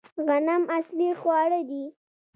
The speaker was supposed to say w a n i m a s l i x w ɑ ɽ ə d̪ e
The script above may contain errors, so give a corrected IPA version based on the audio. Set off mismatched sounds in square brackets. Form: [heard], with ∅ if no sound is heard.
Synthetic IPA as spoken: [ɣ] a n [a] m a s l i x w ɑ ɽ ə d̪ [i]